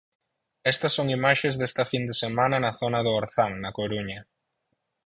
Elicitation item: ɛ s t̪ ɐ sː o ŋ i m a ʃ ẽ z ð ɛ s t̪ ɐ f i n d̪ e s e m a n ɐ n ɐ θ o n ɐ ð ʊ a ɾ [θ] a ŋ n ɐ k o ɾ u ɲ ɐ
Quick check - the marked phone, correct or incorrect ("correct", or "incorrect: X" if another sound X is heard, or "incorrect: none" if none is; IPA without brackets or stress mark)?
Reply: correct